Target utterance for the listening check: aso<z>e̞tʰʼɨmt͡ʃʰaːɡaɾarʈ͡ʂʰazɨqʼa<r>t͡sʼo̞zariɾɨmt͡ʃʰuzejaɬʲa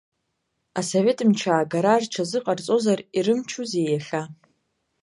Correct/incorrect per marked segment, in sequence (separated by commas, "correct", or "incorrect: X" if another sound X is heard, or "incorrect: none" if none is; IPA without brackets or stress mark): incorrect: v, correct